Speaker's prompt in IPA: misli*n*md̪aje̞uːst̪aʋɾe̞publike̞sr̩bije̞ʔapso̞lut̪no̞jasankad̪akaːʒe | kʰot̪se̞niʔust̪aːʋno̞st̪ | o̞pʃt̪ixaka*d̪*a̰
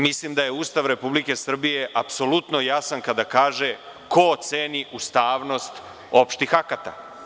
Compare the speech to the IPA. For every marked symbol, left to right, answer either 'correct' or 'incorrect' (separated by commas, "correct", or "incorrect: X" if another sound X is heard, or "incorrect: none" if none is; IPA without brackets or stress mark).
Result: incorrect: none, incorrect: t̪